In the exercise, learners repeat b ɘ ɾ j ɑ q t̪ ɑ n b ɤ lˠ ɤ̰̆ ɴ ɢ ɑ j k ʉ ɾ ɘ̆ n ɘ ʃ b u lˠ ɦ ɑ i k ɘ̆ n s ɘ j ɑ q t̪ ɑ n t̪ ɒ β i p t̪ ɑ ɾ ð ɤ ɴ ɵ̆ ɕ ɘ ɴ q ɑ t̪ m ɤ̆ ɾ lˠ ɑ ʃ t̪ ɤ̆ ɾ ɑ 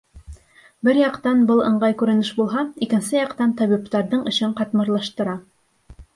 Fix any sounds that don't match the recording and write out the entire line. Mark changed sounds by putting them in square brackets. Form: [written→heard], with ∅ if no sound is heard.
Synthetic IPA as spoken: b ɘ ɾ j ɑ q t̪ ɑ n b ɤ lˠ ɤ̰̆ ɴ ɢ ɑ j k ʉ ɾ ɘ̆ n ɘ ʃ b u lˠ ɦ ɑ i k ɘ̆ n s ɘ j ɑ q t̪ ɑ n t̪ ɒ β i p t̪ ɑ ɾ ð ɤ ɴ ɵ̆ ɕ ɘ ɴ q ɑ t̪ m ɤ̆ ɾ lˠ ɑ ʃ t̪ ɤ̆ ɾ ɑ